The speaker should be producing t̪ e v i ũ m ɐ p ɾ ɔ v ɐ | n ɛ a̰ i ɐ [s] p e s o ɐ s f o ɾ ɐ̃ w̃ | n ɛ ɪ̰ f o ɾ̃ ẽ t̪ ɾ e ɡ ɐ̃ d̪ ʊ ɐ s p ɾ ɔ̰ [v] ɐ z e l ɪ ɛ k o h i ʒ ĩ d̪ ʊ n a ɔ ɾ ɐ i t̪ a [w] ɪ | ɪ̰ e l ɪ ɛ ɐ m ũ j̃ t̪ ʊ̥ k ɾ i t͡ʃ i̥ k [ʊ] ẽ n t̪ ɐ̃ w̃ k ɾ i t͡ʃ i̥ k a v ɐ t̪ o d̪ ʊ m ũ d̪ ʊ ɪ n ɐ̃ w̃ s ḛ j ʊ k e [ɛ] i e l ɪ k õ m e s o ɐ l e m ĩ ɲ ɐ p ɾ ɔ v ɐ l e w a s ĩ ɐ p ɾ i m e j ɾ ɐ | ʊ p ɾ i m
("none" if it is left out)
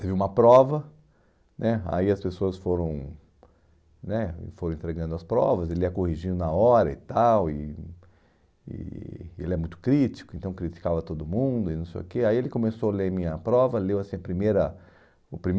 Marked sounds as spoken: s, v, w, ʊ, a

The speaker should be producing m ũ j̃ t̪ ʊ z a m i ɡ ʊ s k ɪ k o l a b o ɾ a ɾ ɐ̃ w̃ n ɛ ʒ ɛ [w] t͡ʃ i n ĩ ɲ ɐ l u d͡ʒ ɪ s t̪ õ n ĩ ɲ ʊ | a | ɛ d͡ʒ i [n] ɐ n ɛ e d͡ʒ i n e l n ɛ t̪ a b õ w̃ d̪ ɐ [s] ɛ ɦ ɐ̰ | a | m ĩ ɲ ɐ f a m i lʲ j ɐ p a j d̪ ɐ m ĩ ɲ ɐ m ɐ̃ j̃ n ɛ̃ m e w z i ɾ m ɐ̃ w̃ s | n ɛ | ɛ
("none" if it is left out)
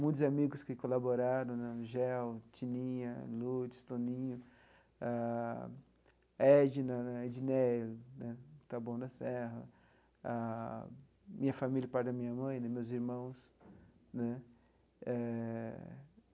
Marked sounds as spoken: w, n, s

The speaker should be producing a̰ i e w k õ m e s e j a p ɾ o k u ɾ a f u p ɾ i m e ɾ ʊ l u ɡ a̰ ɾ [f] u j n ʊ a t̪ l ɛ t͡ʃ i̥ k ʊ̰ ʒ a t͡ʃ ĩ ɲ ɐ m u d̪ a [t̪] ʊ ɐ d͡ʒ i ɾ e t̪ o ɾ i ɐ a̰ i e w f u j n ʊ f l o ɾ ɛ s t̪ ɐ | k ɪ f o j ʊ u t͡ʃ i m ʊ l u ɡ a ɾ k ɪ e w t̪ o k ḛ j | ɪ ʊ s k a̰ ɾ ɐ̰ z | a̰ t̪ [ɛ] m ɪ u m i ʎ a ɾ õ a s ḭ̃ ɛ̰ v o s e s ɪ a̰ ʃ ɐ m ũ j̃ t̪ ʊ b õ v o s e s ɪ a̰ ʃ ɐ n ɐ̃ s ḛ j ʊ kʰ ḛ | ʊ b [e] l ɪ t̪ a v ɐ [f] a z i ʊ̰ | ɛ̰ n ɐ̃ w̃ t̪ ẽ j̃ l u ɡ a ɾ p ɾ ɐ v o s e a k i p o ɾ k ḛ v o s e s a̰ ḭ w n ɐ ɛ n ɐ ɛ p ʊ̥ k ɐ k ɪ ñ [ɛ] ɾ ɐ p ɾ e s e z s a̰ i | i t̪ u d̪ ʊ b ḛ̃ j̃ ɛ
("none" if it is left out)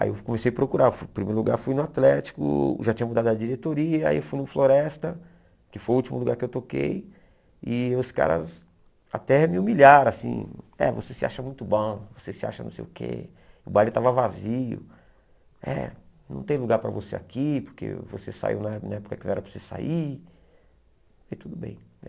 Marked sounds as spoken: f, d̪, ɛ, a, v, ɛ

